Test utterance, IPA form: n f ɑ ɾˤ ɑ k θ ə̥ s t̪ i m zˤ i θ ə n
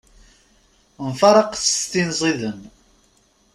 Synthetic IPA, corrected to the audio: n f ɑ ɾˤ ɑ q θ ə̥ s t̪ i n zˤ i ð ə n